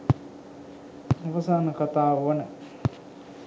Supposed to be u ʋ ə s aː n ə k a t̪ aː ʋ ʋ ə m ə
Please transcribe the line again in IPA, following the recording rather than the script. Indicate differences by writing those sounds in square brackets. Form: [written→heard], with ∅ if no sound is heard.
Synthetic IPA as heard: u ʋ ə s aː n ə k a t̪ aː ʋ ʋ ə [m→n] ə